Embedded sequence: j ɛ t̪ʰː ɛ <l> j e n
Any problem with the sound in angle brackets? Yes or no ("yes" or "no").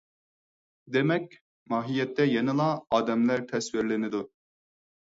yes